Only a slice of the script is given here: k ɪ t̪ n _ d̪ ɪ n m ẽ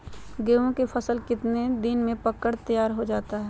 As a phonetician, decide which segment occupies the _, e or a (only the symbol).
e